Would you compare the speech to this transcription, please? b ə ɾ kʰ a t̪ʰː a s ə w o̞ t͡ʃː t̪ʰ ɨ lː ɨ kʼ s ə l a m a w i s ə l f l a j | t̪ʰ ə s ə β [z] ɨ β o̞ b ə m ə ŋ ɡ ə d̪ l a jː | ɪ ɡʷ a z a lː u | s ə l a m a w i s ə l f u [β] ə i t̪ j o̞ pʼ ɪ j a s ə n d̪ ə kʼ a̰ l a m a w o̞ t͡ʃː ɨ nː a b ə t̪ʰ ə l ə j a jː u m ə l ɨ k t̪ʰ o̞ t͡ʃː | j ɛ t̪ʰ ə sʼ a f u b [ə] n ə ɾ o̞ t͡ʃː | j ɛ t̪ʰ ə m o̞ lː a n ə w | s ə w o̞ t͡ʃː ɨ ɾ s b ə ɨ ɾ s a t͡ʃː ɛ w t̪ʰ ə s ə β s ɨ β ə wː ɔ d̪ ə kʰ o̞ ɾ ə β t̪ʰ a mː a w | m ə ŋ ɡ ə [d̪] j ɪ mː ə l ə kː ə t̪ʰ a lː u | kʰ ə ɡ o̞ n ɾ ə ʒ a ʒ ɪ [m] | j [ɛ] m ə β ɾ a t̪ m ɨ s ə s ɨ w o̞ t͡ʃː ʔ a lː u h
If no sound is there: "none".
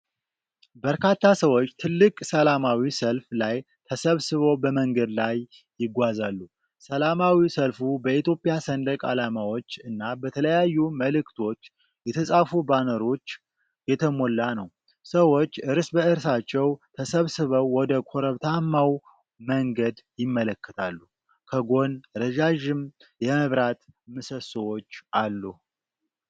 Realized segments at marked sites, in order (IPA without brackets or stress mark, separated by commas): s, b, a, d̪, m, ɛ